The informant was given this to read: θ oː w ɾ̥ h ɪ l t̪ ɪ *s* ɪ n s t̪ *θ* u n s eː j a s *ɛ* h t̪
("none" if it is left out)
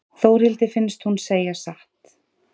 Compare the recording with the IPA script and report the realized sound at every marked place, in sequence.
f, h, a

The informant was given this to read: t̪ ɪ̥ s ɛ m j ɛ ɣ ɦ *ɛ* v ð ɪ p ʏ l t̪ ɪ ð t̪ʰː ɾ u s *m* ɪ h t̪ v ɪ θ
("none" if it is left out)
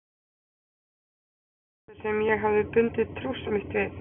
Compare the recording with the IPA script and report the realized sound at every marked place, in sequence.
a, m

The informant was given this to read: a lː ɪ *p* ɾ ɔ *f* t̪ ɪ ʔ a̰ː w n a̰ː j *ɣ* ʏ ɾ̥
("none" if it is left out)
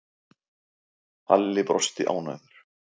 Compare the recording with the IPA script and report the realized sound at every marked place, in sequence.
p, s, ð

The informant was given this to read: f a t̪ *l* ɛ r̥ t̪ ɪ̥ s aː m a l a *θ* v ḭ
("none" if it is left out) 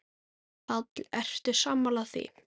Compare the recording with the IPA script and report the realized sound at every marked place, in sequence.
l, θ

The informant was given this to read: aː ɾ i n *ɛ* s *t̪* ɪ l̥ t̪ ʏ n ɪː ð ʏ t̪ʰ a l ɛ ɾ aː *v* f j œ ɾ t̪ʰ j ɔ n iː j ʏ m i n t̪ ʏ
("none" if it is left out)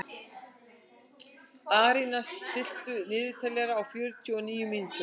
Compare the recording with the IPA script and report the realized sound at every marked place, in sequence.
a, t̪, w

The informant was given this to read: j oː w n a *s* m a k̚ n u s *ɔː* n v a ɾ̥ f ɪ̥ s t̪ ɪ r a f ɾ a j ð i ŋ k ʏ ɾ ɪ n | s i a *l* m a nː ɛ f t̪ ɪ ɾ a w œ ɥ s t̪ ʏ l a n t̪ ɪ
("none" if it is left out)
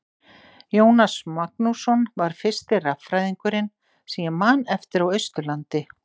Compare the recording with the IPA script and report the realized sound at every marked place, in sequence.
s, ɔ, none

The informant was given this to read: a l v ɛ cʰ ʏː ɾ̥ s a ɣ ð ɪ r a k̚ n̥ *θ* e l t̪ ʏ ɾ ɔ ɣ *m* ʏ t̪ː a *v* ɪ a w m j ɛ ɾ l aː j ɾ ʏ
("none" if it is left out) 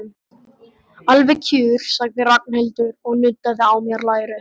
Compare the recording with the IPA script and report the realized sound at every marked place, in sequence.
h, n, ð

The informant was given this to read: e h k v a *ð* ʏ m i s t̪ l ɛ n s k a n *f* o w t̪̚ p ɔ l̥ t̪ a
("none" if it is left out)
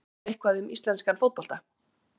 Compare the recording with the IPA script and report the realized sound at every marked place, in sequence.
ð, f

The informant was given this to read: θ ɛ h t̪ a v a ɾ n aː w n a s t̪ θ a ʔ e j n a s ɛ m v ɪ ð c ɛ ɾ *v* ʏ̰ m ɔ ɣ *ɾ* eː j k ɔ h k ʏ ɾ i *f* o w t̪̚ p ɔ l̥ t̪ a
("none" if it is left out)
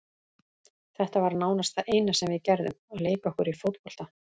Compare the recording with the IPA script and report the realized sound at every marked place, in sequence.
ð, l, f

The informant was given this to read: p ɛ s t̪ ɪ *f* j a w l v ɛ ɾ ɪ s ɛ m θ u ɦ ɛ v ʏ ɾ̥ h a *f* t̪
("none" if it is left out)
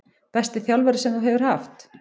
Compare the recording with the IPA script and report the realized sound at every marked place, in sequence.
θ, f

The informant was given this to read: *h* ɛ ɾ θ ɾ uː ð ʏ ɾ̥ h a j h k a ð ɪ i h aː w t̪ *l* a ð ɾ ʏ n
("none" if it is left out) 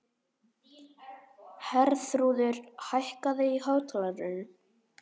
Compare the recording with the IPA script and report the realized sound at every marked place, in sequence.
h, l

